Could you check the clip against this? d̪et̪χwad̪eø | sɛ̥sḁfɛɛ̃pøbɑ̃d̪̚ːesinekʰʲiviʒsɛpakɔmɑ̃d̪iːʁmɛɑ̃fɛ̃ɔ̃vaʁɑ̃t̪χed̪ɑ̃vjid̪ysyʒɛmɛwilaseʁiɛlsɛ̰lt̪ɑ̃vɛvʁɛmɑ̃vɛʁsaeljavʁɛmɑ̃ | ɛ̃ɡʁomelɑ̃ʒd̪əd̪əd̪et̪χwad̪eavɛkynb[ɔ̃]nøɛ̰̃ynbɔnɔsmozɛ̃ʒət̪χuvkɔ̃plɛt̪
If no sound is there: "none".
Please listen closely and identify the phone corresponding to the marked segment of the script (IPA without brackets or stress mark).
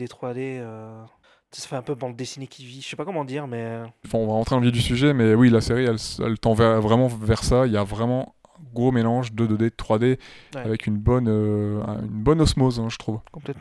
ɔ